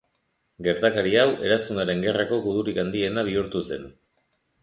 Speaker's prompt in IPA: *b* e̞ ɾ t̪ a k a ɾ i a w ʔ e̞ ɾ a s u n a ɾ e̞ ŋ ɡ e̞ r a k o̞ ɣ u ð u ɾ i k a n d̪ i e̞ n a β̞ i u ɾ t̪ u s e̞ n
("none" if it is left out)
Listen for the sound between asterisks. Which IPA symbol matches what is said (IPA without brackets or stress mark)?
ɡ